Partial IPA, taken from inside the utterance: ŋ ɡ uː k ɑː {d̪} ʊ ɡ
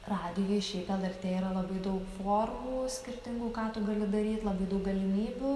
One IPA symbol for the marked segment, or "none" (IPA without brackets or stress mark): t̪